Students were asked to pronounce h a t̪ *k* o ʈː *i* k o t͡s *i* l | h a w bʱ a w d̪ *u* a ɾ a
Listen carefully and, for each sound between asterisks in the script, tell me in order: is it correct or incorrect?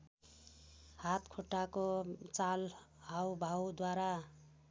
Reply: incorrect, incorrect, incorrect, incorrect

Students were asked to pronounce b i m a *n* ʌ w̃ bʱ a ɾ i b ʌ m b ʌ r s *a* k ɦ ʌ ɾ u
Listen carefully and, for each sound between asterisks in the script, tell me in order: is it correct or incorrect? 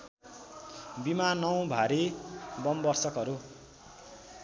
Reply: correct, incorrect

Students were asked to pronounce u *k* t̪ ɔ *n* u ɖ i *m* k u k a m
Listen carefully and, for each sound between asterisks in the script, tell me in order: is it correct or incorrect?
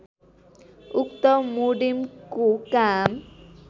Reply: correct, incorrect, correct

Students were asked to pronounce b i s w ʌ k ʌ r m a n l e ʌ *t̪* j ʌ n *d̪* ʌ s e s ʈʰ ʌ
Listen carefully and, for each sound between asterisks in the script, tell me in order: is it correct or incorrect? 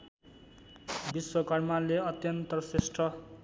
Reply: correct, incorrect

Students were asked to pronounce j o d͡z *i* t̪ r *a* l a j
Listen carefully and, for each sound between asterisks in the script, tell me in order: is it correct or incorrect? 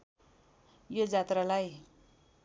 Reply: incorrect, correct

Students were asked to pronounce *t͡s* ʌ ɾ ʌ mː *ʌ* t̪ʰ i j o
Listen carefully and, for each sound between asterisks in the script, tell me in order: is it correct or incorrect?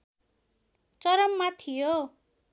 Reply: correct, incorrect

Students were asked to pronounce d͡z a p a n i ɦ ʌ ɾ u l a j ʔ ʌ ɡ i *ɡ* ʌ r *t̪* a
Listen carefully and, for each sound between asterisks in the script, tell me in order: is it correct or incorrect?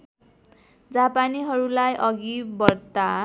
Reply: incorrect, correct

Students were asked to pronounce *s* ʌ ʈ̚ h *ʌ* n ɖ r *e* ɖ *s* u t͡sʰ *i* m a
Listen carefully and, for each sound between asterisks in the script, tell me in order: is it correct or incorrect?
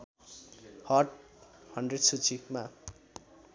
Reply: incorrect, correct, correct, correct, correct

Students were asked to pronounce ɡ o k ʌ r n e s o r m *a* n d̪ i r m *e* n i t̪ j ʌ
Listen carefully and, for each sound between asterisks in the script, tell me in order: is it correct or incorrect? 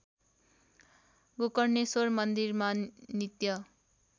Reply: incorrect, incorrect

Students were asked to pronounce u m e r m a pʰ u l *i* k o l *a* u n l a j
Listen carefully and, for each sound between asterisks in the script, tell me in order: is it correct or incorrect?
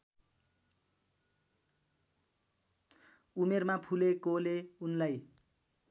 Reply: incorrect, incorrect

